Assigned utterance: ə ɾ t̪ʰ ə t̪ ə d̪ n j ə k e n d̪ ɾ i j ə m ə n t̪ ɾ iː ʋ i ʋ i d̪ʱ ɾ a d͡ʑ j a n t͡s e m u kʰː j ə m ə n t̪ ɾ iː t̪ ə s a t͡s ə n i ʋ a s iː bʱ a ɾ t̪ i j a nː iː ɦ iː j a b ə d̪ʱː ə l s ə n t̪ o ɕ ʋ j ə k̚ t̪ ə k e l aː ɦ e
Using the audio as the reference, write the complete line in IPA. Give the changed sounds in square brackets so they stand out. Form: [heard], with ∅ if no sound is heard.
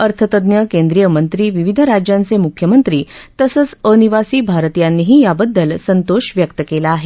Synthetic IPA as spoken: ə ɾ t̪ʰ ə t̪ ə d̪ n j ə k e n d̪ ɾ i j ə m ə n t̪ ɾ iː ʋ i ʋ i d̪ʱ ɾ a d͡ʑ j a n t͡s e m u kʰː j ə m ə n t̪ ɾ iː t̪ ə s [ə] t͡s ə n i ʋ a s iː bʱ a ɾ t̪ i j a nː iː ɦ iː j a b ə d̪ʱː ə l s ə n t̪ o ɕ ʋ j ə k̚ t̪ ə k e l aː ɦ e